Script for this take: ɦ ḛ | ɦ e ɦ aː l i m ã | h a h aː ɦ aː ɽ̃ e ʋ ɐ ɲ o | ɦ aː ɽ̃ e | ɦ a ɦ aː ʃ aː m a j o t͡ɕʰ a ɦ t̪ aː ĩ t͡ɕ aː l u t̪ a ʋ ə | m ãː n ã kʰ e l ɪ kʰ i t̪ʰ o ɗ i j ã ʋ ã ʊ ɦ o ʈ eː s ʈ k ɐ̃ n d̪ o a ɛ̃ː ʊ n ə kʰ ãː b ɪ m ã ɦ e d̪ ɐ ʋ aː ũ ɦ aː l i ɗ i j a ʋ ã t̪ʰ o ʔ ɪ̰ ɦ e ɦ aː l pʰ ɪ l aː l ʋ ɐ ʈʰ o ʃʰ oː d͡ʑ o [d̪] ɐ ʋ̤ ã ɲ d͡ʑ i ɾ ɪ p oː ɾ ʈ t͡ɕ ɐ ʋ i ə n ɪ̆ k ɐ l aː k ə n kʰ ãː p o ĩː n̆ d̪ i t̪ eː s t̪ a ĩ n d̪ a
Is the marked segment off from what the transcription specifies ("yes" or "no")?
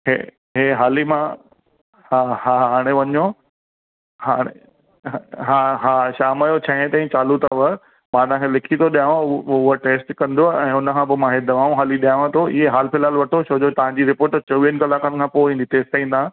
yes